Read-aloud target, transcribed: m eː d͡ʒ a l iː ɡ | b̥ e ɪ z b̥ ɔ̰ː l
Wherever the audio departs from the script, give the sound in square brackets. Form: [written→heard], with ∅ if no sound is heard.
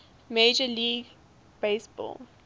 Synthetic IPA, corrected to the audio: m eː d͡ʒ [a→ə] l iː ɡ | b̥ e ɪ [z→s] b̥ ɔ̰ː l